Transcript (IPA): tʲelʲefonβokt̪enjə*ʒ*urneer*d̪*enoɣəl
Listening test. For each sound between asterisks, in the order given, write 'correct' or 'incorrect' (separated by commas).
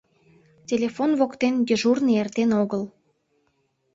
correct, incorrect